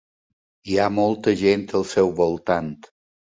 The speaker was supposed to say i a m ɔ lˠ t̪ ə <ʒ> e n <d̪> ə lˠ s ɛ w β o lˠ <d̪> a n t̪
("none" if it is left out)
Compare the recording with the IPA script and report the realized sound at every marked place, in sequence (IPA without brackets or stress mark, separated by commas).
ʒ, t̪, t̪